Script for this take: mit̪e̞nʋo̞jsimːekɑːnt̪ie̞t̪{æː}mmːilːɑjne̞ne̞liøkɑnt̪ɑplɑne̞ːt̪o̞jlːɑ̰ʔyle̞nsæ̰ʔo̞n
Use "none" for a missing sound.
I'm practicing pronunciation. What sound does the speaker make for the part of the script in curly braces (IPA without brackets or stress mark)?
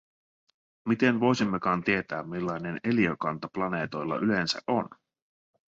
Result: æː